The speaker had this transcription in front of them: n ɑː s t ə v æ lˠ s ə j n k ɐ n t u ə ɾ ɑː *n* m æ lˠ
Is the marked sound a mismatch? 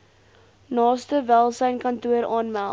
no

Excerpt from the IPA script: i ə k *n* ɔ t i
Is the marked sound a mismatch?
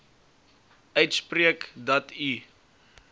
yes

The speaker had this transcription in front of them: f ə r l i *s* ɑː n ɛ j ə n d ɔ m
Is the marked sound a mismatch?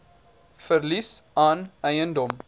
no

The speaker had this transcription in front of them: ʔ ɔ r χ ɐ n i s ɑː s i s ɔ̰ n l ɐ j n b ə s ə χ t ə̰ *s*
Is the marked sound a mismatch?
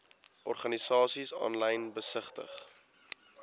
yes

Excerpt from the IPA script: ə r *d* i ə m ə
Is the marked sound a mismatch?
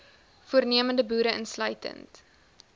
yes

